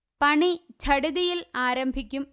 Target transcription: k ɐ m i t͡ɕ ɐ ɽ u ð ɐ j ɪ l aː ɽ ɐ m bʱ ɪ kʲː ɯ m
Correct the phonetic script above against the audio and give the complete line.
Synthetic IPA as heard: p ɐ ɳ i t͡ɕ ɐ ɽ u ð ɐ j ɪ l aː ɾ ɐ m bʱ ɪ kʲː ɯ m